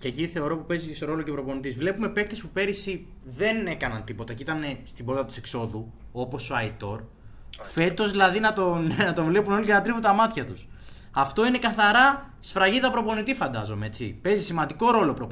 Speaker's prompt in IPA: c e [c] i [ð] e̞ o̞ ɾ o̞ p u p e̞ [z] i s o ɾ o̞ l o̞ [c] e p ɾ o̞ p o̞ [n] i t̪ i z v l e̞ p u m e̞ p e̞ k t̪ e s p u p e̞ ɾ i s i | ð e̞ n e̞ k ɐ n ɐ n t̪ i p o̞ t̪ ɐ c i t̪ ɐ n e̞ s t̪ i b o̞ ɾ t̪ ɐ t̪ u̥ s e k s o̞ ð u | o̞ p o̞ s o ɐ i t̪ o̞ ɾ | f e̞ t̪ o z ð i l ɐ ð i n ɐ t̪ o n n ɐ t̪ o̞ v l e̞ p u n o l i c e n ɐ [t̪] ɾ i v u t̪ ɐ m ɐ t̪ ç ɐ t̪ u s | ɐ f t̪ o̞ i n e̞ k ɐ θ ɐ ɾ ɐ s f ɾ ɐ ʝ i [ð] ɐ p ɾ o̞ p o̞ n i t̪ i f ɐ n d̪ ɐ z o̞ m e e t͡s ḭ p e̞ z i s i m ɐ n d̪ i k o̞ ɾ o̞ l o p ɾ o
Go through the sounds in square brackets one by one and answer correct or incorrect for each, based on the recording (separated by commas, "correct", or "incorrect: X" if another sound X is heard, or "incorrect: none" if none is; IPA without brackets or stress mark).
correct, incorrect: θ, correct, correct, correct, correct, correct